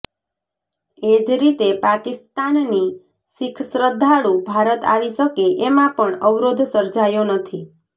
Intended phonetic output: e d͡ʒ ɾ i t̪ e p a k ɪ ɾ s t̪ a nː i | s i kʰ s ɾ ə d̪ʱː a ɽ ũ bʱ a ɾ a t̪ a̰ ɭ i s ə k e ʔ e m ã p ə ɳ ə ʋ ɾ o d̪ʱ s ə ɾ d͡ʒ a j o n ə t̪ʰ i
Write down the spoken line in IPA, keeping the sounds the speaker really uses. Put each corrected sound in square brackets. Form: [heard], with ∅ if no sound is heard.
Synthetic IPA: e d͡ʒ ɾ i t̪ e p a k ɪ [∅] s t̪ a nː i | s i kʰ s ɾ ə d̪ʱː a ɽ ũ bʱ a ɾ [ə] t̪ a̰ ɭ i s ə k e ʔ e m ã p ə ɳ ə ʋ ɾ o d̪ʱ s ə ɾ d͡ʒ a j o n ə t̪ʰ i